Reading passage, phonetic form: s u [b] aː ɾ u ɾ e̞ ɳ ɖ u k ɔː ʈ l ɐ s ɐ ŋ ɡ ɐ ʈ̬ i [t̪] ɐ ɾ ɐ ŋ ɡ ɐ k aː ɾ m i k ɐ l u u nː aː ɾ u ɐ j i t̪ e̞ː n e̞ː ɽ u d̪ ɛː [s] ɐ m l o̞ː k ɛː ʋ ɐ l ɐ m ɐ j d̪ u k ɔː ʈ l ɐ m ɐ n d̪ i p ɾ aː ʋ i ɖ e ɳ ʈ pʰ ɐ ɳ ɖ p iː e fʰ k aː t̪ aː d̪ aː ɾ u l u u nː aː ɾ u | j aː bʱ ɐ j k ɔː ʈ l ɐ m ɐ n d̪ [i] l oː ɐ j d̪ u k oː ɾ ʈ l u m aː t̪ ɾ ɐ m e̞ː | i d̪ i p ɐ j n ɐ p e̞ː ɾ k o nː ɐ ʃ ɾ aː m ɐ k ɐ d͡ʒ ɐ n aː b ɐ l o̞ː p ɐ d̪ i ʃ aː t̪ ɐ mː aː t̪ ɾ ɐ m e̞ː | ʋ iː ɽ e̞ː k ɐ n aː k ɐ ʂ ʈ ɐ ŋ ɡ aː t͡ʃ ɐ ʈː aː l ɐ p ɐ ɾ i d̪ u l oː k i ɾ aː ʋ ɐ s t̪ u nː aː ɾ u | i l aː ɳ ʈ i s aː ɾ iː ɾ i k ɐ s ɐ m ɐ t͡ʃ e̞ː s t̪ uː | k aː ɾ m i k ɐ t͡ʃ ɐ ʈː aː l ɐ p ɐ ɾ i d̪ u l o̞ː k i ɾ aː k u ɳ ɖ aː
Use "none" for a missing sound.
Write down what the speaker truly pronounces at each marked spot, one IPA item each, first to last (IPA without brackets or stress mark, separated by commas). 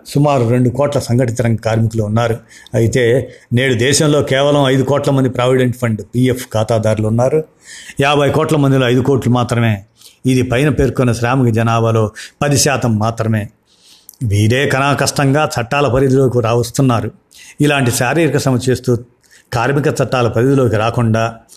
m, t̪, ʃ, i